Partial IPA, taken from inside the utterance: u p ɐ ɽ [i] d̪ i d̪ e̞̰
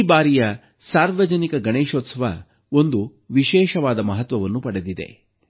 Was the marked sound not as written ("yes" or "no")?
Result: yes